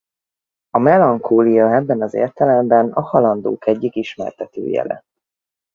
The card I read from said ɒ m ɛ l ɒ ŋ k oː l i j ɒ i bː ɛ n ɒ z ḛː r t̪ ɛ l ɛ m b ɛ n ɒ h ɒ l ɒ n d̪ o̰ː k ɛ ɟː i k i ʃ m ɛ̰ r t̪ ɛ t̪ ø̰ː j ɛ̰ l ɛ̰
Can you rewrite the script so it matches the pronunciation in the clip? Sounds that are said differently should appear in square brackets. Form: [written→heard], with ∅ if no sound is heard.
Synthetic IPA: ɒ m ɛ l ɒ ŋ k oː l i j ɒ [i→ɛ] bː ɛ n ɒ z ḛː r t̪ ɛ l ɛ m b ɛ n ɒ h ɒ l ɒ n d̪ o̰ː k ɛ ɟː i k i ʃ m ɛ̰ r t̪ ɛ t̪ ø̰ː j ɛ̰ l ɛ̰